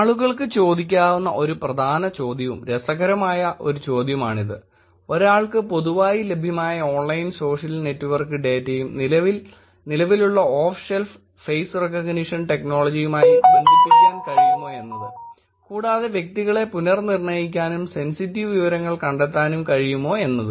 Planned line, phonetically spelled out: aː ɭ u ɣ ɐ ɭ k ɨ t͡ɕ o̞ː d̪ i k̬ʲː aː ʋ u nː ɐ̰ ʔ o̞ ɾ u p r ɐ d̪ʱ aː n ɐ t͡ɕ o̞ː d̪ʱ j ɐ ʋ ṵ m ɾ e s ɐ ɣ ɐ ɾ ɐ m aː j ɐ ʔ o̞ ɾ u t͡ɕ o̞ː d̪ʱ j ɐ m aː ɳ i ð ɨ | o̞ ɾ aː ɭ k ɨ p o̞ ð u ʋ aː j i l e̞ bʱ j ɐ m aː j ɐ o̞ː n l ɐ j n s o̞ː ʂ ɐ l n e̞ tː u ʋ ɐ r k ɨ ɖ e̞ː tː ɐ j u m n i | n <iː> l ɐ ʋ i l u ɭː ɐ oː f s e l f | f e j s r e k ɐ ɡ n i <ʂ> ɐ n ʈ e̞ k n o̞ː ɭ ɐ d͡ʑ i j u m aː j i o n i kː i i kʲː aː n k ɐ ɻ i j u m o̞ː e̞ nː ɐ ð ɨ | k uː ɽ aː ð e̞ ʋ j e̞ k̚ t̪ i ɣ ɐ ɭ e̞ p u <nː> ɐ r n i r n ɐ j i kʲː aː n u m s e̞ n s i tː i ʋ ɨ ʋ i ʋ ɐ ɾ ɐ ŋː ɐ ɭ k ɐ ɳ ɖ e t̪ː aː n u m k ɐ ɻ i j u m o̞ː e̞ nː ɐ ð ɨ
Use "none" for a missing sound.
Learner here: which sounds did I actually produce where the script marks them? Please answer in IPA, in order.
i, ʂ, n

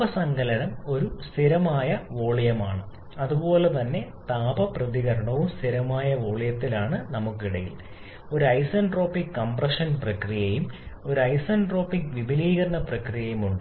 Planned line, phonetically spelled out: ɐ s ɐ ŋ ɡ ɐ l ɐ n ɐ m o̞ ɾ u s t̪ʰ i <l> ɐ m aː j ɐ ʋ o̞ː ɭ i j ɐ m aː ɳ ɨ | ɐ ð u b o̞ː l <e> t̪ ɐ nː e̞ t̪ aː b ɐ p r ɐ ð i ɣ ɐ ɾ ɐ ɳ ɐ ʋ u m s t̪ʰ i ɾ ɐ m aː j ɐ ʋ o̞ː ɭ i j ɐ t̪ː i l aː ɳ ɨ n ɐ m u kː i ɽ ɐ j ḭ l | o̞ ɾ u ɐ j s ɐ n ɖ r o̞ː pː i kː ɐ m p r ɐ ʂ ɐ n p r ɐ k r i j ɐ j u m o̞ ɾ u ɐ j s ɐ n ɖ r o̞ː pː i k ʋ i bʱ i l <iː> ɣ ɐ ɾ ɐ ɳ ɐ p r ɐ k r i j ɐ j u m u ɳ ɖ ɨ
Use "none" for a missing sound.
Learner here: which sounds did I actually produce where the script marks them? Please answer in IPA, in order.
ɾ, e, iː

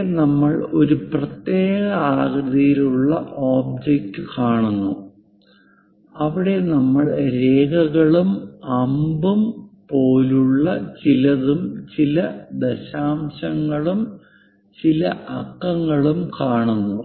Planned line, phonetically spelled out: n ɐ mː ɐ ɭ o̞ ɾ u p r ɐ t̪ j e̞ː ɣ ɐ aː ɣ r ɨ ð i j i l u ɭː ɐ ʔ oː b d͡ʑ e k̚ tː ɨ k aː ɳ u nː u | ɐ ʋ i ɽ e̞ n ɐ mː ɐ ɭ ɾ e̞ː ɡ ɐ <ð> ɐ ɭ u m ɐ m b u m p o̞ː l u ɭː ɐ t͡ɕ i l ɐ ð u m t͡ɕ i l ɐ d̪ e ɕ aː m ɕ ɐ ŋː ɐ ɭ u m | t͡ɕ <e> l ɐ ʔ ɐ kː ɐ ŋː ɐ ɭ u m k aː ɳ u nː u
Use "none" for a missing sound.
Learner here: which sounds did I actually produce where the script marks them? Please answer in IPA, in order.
ɣ, i

